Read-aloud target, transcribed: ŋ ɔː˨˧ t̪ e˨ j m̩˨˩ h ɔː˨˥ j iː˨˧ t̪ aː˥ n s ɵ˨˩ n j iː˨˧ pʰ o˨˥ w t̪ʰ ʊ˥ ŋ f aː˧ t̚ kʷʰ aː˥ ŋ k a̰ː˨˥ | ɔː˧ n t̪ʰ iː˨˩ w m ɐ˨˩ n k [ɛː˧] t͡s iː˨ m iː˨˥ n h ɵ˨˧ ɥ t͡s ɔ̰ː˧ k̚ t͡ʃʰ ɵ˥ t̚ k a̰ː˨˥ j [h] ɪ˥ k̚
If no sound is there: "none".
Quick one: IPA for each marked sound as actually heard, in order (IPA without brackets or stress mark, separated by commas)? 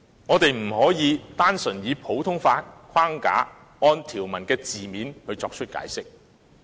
ɛː˧, s